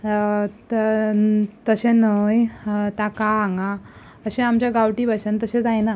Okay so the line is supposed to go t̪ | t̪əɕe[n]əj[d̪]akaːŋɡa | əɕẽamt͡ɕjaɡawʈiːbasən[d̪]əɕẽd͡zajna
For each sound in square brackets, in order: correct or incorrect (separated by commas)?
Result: correct, incorrect, incorrect